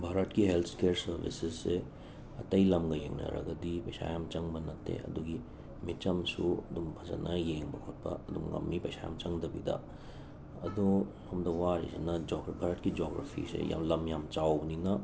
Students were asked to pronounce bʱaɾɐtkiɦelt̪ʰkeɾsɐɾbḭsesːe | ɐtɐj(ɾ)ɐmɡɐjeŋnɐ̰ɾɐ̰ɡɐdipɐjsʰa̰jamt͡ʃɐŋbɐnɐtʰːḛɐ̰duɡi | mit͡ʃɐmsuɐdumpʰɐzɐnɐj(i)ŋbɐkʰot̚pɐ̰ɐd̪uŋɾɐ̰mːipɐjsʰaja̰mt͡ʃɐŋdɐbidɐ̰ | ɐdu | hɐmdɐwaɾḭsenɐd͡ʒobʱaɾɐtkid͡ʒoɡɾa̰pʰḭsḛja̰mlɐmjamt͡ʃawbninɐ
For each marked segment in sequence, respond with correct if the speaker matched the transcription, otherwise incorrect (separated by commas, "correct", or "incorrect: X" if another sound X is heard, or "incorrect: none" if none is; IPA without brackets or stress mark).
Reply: incorrect: l, incorrect: e